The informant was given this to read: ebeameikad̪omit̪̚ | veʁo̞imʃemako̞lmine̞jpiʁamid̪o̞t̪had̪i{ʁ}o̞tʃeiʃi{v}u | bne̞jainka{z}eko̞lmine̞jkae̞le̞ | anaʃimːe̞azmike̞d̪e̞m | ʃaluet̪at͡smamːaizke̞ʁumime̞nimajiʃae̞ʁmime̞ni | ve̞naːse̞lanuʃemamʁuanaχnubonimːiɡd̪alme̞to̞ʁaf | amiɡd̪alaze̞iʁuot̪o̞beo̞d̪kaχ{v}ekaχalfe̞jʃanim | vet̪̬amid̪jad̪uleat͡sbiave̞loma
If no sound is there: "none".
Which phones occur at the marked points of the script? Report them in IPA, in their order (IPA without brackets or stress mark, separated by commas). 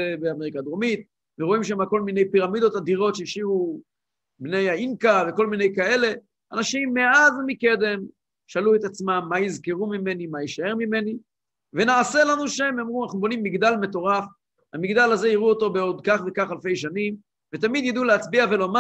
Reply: ʁ, v, v, v